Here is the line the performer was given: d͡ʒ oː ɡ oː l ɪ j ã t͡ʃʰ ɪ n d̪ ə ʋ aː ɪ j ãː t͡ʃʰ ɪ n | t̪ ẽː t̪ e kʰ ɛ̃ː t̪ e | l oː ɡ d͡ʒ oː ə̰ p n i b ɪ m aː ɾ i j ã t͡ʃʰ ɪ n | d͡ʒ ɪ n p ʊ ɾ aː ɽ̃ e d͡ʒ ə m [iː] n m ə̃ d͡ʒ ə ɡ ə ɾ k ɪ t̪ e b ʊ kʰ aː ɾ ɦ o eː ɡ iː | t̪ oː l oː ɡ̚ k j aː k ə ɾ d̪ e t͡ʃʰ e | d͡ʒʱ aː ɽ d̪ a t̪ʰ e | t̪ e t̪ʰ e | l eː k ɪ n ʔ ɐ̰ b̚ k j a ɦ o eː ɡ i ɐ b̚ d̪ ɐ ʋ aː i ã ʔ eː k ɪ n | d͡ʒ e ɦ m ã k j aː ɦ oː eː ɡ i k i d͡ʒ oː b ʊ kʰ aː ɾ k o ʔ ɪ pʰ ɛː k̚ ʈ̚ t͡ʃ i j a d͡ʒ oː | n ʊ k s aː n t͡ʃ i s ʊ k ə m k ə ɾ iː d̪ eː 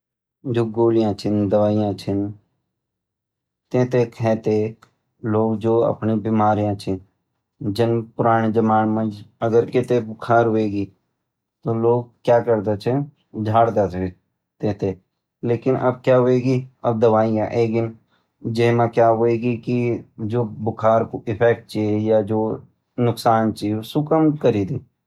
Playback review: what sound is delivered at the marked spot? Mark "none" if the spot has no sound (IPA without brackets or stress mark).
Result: aː